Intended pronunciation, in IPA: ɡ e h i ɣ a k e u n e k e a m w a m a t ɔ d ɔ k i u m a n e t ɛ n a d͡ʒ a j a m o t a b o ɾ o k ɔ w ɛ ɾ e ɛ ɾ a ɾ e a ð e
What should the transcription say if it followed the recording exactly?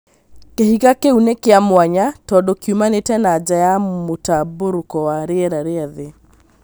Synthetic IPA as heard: k e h i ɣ a k e u n e k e a m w a ɲ a t ɔ d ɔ k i u m a n e t ɛ n a d͡ʒ a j a m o t a b o ɾ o k ɔ w a ɾ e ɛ ɾ a ɾ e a ð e